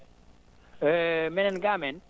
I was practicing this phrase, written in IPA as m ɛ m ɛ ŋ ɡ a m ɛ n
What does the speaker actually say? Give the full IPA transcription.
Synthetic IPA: m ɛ n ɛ n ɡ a m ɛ n